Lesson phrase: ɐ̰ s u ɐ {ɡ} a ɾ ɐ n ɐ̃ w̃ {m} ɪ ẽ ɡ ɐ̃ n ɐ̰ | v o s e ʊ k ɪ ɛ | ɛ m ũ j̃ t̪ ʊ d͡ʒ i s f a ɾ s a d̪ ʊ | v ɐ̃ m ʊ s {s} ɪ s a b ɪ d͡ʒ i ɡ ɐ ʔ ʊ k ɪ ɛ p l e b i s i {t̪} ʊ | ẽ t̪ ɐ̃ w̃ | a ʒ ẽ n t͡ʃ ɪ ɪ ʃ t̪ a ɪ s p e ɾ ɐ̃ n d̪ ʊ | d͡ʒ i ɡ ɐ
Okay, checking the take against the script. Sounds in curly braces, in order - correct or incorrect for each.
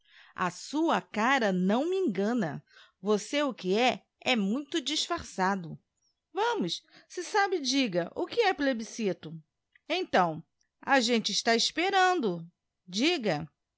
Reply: incorrect: k, correct, correct, correct

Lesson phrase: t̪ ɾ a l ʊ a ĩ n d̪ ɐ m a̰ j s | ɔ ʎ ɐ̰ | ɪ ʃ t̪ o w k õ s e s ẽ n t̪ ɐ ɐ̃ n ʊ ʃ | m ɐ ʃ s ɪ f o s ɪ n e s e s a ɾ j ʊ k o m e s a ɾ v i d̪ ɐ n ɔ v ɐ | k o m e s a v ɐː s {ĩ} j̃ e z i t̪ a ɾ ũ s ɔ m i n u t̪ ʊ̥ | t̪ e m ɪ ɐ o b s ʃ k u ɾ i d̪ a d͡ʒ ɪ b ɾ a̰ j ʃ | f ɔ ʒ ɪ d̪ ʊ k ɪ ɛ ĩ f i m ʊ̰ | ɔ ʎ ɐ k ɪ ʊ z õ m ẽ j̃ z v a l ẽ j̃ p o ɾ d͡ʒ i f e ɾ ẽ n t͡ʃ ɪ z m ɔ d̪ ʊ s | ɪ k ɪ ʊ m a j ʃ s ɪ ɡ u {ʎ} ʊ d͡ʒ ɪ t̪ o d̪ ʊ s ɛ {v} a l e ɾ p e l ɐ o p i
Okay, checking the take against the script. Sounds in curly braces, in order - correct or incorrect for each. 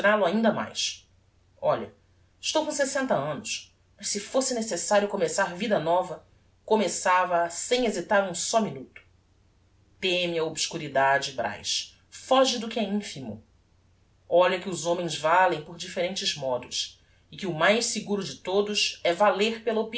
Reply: incorrect: ẽ, incorrect: ɾ, correct

